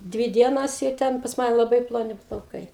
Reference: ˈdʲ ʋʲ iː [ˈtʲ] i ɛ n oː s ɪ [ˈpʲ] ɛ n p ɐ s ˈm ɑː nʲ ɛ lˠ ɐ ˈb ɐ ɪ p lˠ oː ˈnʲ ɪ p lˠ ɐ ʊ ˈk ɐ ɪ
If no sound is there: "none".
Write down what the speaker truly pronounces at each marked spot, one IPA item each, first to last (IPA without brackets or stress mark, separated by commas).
dʲ, tʲ